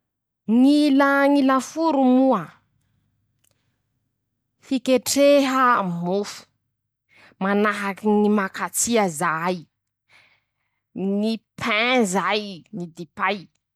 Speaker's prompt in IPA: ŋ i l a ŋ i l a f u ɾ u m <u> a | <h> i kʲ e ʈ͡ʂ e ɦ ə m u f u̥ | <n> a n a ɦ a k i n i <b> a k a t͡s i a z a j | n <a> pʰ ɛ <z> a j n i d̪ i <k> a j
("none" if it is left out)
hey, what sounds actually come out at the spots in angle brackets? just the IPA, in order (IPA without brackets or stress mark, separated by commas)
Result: u, f, m, m, i, z, p